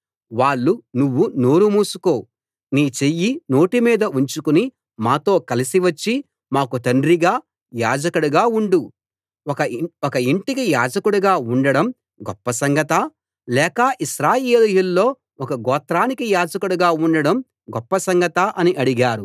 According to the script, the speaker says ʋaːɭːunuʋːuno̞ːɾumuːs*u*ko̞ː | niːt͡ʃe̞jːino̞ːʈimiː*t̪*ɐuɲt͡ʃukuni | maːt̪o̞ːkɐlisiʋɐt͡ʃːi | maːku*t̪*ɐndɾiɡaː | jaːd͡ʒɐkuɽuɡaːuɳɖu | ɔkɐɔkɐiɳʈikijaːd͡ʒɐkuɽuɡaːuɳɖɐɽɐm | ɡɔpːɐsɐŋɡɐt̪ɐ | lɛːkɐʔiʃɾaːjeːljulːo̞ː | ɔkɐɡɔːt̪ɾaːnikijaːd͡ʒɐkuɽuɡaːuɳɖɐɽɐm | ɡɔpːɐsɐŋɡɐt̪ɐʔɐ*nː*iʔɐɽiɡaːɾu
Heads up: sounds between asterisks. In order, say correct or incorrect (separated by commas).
correct, incorrect, correct, incorrect